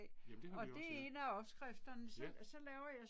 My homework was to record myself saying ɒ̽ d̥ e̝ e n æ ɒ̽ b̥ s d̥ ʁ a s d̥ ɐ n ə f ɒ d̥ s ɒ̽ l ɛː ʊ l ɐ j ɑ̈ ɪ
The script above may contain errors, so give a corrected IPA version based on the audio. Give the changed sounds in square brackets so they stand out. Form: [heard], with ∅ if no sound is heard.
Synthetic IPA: ɒ̽ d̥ e̝ e n æ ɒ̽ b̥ s [ɡ̥] ʁ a [f] d̥ ɐ n ə [s] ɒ [∅] s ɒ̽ l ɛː ʊ [∅] ɐ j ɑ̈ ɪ